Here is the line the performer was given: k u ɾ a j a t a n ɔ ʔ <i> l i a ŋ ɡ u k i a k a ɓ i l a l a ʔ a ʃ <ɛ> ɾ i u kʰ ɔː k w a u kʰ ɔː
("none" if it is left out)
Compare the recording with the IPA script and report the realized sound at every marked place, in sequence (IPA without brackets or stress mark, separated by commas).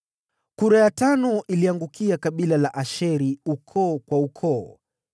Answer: i, ɛ